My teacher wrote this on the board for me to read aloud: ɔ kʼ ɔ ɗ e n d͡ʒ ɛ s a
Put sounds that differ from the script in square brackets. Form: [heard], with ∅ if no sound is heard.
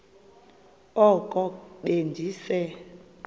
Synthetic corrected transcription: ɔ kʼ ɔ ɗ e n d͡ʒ [i] s [ɛ]

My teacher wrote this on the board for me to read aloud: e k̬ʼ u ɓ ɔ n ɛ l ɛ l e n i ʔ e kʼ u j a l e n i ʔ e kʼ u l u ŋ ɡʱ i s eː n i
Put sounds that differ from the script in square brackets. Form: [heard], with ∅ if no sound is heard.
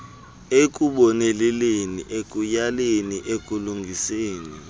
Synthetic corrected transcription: e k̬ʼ u ɓ ɔ n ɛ l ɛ l e n i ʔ e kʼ u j a l e n i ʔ e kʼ u l u ŋ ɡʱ i s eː n i

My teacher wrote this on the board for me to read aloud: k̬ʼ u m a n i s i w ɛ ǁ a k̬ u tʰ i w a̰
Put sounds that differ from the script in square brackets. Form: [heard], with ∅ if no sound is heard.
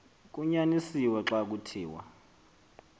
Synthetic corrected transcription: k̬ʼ u [ɲ] a n i s i w ɛ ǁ a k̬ u tʰ [iː] w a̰

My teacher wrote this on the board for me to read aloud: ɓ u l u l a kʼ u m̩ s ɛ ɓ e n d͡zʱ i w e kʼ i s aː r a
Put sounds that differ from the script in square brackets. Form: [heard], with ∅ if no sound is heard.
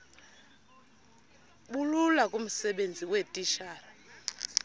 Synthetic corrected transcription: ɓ u l u l a kʼ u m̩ s ɛ ɓ e n d͡zʱ i w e [tʼ] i [ʃ] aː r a

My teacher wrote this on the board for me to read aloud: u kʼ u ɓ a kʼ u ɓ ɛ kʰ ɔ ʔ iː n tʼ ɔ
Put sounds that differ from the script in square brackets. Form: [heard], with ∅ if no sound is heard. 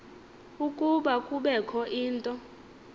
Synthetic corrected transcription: u kʼ u ɓ a kʼ u ɓ ɛ kʰ ɔ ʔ iː n tʼ ɔ

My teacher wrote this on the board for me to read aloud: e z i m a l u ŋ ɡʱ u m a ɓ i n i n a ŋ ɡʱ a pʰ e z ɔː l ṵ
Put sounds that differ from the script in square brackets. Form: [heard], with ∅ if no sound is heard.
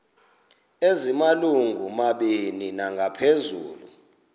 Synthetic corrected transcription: e z i m a l u ŋ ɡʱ u m a ɓ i n i n a ŋ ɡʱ a pʰ e z [uː] l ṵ

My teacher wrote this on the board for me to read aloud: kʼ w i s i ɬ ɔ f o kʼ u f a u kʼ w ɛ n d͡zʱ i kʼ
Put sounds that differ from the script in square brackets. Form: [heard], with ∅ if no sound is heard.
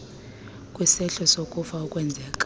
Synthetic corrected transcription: kʼ w i s [ɛ] ɬ ɔ [s] o kʼ u f a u kʼ w ɛ n d͡zʱ [ɛ] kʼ

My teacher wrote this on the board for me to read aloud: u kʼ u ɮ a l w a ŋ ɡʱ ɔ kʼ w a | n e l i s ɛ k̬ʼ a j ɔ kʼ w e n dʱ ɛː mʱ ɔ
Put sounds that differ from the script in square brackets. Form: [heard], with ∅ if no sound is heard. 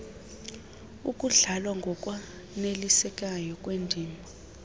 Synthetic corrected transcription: u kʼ u ɮ a l w a ŋ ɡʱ ɔ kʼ w a | n e l i s ɛ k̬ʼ a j ɔ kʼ w e n dʱ [iː] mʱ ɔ

